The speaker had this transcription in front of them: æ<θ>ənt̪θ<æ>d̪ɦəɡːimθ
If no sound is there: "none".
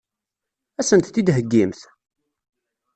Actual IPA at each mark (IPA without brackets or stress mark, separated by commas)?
s, i